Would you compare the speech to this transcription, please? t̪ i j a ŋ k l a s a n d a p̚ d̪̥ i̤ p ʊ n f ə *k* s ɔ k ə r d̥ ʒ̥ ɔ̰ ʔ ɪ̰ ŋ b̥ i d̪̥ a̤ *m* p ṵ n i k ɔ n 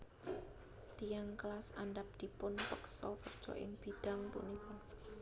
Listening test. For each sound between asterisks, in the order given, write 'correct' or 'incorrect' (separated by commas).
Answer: correct, incorrect